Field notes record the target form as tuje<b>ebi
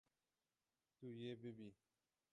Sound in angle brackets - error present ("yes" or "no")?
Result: no